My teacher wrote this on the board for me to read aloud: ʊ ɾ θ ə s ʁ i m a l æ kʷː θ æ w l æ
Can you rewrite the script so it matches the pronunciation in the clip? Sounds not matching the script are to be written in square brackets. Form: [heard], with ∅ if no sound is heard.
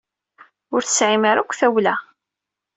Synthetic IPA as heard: ʊ ɾ θ ə s [ʕ] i m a [ɾ] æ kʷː θ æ w l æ